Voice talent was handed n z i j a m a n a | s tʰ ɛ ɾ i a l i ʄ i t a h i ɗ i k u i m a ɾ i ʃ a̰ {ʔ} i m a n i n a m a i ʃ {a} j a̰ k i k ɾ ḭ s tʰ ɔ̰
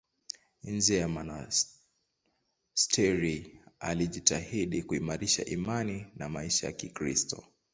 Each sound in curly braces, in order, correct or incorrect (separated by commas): correct, correct